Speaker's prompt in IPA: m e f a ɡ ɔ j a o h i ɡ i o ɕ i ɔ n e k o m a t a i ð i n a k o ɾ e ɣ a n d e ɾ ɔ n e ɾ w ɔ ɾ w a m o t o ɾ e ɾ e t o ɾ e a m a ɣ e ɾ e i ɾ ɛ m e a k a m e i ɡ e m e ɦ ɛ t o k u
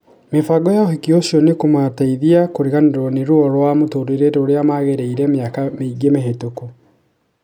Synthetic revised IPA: m e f a ɡ ɔ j a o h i k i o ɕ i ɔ n e k o m a t a i ð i a k o ɾ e ɣ a n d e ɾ ɔ n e ɾ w ɔ ɾ w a m o t o ɾ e ɾ e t o ɾ e a m a ɣ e ɾ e i ɾ ɛ m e a k a m e i ɡ e m e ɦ e t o k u